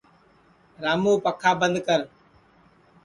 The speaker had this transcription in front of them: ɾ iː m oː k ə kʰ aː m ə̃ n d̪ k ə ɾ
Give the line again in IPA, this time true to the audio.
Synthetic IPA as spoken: ɾ aː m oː p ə kʰ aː b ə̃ n d̪ k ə ɾ